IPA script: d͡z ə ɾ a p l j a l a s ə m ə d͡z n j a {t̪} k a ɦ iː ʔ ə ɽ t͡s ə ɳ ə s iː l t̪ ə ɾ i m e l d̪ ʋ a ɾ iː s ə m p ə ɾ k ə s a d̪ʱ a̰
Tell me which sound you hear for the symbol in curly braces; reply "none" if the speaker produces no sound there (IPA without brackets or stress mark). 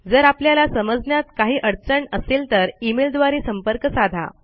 t̪